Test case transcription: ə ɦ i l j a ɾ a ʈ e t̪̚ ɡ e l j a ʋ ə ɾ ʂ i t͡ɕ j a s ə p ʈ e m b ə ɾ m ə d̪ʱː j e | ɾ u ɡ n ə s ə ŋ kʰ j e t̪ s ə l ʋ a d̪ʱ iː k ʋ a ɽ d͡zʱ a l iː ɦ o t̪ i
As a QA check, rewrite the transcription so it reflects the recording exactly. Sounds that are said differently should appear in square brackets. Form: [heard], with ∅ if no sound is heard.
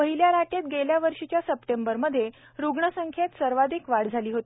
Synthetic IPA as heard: ə ɦ i l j a ɾ a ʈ e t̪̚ ɡ e l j a ʋ ə ɾ ʂ i t͡ɕ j a s ə p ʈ e m b ə ɾ m ə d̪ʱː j e | ɾ u ɡ [ɳ] ə s ə ŋ kʰ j e t̪ s ə [ɾ] ʋ a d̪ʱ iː k ʋ a ɽ d͡zʱ a l iː ɦ o t̪ i